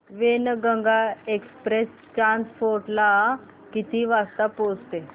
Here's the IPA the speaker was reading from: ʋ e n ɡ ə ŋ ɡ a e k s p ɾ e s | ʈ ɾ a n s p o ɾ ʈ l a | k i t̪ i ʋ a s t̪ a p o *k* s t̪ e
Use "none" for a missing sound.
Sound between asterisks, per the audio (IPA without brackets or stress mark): none